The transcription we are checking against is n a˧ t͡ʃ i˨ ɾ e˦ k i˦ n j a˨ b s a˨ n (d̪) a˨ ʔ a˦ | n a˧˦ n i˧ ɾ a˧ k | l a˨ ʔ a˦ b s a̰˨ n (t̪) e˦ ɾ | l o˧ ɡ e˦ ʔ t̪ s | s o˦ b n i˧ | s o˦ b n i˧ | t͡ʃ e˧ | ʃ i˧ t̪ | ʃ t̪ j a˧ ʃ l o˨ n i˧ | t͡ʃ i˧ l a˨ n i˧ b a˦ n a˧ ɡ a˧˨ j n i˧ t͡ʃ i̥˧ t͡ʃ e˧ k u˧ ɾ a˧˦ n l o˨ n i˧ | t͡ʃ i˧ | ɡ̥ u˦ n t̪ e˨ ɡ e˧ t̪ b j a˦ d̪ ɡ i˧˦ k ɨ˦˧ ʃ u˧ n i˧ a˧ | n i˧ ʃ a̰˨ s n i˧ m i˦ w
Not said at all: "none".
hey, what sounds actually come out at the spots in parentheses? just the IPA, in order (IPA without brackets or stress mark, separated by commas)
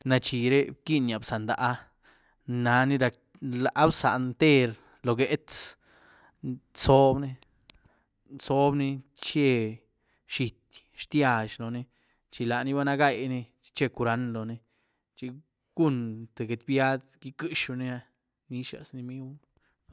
d̪, t̪